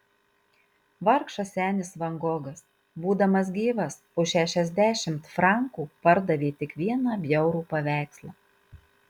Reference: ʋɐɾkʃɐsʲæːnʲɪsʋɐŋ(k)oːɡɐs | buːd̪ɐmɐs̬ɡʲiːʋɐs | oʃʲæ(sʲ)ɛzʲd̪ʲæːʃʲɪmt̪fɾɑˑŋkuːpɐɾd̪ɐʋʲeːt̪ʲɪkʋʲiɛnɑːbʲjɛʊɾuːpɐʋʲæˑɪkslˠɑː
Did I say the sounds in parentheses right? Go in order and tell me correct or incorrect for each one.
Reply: incorrect: ɡ, incorrect: ʃʲ

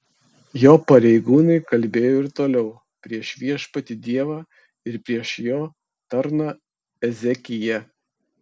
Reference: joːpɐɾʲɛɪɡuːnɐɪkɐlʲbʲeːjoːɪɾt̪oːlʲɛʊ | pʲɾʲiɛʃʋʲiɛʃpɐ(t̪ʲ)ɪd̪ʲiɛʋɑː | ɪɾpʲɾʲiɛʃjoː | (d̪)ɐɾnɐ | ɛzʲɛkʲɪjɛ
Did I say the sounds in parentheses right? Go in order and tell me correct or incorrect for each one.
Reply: correct, incorrect: t̪

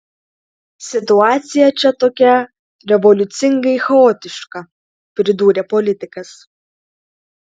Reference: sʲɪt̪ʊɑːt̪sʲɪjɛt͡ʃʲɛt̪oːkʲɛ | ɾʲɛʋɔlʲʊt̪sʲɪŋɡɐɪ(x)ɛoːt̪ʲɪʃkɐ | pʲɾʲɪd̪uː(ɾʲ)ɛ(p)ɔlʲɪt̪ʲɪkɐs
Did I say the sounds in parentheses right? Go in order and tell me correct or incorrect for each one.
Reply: correct, correct, correct

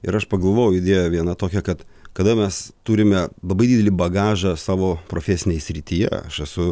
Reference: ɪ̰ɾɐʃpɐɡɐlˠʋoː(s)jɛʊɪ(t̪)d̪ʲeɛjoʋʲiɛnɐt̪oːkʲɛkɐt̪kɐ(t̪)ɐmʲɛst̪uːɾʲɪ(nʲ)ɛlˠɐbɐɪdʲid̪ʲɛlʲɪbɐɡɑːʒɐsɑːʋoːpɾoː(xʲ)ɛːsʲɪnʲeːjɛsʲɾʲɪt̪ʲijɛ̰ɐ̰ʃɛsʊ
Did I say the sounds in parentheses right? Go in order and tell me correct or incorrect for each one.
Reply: incorrect: none, incorrect: none, incorrect: d̪, incorrect: mʲ, incorrect: fʲ

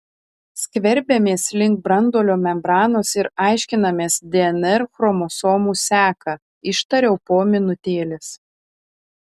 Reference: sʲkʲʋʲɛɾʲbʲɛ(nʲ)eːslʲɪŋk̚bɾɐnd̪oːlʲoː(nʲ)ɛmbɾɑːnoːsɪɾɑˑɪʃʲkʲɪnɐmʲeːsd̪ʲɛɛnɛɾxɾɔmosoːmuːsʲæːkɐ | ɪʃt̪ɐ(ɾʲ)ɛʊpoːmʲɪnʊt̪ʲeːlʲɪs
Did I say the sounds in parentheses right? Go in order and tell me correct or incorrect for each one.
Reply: incorrect: mʲ, incorrect: mʲ, correct

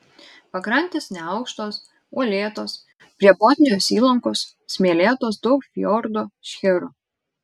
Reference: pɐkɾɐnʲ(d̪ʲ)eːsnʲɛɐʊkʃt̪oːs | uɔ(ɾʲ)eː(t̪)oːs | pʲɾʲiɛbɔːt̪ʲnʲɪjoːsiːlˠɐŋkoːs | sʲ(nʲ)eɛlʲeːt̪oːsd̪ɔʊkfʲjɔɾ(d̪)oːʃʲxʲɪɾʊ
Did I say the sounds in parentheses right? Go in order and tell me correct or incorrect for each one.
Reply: incorrect: t̪ʲ, incorrect: lʲ, correct, incorrect: mʲ, correct

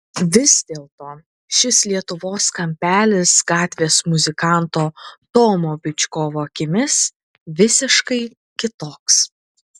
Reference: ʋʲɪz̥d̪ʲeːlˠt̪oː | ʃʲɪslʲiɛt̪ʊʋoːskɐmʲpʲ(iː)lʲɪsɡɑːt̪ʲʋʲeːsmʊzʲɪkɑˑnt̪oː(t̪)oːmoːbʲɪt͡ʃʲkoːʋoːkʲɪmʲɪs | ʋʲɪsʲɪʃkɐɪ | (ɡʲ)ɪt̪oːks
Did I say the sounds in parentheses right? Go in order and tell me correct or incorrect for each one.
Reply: incorrect: æː, correct, incorrect: kʲ

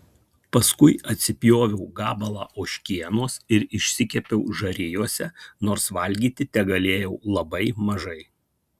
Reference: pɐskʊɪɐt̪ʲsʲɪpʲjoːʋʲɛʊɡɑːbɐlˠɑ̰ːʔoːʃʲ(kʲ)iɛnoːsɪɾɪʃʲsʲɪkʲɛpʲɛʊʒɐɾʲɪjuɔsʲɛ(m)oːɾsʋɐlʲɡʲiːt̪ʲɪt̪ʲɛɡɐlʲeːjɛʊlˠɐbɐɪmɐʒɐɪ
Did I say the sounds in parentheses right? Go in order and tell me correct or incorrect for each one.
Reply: correct, incorrect: n

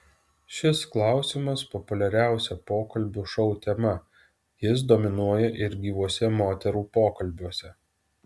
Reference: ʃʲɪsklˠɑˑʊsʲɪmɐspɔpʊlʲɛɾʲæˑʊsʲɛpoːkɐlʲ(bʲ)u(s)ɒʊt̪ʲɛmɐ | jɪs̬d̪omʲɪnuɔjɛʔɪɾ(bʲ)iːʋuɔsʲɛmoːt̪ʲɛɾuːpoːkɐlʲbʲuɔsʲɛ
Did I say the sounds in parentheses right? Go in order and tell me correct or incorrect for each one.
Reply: correct, incorrect: ʃ, incorrect: ɡʲ

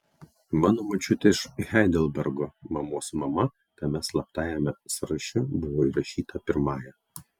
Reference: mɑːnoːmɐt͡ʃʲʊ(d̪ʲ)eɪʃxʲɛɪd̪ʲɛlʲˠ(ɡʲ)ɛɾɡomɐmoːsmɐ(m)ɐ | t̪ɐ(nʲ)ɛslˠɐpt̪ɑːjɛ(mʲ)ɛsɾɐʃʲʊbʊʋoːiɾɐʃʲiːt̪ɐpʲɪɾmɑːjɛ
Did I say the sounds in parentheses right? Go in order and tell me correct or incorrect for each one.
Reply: incorrect: t̪ʲ, incorrect: bʲ, correct, incorrect: mʲ, correct

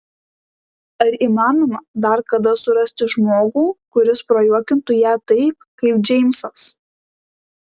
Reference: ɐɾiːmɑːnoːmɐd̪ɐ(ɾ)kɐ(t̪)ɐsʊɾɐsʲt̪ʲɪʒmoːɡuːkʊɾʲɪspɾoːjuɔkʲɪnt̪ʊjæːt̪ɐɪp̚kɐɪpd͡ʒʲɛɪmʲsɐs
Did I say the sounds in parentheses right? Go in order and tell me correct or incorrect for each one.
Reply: correct, incorrect: d̪

